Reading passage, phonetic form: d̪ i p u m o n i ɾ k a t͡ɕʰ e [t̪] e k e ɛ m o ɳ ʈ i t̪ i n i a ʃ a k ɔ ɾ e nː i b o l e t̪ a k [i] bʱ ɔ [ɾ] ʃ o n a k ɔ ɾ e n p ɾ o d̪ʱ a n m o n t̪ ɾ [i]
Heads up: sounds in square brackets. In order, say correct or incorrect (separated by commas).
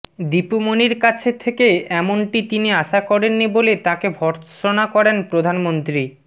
incorrect, incorrect, correct, correct